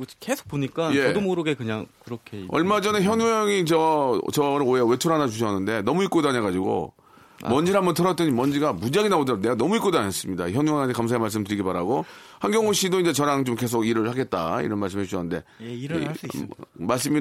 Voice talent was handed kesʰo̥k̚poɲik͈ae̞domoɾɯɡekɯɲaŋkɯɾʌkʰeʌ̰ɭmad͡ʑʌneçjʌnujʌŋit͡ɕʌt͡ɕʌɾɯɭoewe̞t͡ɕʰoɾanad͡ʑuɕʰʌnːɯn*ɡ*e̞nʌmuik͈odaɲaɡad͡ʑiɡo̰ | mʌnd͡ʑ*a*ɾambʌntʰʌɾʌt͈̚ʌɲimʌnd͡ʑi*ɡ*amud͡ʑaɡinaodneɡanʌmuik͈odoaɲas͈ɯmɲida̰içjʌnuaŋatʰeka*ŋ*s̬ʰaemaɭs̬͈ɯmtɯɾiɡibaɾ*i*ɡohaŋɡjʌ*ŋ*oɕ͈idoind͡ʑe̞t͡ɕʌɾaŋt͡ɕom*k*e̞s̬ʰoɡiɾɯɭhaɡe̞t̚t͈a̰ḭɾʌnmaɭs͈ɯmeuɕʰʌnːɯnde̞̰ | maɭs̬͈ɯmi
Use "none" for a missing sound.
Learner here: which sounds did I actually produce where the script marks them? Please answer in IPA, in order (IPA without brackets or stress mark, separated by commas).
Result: d, i, ɡ, m, a, ŋ, k